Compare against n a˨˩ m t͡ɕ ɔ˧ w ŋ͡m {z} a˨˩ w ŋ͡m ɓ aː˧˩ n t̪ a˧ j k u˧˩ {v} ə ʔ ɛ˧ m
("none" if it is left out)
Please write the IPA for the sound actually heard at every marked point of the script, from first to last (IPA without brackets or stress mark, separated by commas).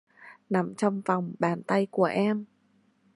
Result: v, none